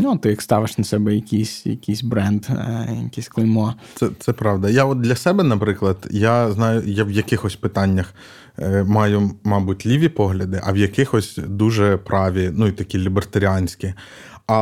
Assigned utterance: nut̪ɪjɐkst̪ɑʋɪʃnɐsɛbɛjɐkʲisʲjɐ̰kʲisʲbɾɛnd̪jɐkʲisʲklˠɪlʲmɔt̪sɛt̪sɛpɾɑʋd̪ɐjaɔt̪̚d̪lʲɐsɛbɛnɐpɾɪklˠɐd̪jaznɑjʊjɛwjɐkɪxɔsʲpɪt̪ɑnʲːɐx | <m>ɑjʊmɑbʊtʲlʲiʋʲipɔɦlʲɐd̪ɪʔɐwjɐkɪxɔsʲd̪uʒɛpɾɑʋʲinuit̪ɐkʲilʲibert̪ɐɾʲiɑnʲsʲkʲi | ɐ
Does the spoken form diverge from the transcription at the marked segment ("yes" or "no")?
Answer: no